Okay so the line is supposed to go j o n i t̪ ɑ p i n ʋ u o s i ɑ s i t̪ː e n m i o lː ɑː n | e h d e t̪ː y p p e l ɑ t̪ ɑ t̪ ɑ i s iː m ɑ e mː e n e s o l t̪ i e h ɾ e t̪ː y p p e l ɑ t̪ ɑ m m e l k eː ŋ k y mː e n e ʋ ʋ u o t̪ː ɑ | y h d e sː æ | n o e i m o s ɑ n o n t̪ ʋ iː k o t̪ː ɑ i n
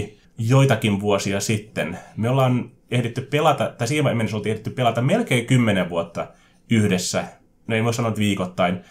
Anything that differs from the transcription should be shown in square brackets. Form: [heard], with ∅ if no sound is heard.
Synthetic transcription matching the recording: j o [∅] i t̪ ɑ [k] i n ʋ u o s i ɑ s i t̪ː e n m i o lː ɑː n | e h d e t̪ː y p p e l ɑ t̪ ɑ t̪ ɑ i s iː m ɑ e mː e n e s o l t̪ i e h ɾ e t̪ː y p p e l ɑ t̪ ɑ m m e l k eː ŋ k y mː e n e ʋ ʋ u o t̪ː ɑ | y h d e sː æ | n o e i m o s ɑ n o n t̪ ʋ iː k o t̪ː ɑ i n